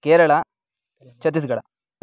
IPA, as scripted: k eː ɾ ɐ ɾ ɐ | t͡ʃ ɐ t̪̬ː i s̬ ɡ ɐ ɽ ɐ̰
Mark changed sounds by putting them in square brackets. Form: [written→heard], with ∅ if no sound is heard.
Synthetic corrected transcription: k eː ɾ ɐ [ɾ→ɭ] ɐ | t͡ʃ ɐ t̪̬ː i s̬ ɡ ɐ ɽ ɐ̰